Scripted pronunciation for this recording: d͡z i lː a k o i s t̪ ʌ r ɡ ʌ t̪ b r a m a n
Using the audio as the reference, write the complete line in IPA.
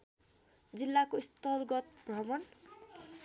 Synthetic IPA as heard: d͡z i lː a k o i s t̪ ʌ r ɡ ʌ t̪ b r ʌ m ʌ n